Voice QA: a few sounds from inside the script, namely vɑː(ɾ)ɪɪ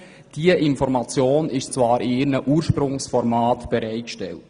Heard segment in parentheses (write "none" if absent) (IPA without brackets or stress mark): ɾ